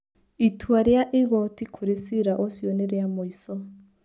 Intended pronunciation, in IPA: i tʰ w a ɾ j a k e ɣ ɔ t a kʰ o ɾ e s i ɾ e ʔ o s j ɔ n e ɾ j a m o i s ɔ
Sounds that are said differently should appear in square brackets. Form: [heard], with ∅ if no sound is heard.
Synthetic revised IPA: i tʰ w a ɾ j a [ʔ] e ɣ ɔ t [i] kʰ o ɾ e s i ɾ [a] ʔ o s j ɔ n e ɾ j a m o i s ɔ